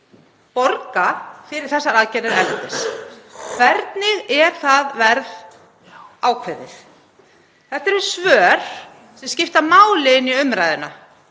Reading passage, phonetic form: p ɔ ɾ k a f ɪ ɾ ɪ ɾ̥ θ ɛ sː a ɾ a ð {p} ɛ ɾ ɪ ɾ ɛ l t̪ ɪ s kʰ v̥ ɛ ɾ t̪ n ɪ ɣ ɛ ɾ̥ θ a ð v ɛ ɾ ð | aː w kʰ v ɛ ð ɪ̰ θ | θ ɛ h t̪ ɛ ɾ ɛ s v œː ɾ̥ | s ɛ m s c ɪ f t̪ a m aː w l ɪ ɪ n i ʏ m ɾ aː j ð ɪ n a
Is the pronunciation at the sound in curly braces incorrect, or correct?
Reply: incorrect